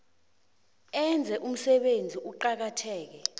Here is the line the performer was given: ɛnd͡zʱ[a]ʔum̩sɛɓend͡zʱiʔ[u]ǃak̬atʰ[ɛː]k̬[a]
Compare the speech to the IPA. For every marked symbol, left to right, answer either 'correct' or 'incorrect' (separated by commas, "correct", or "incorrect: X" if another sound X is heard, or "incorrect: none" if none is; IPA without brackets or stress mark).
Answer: incorrect: ɛ, correct, correct, incorrect: ɛ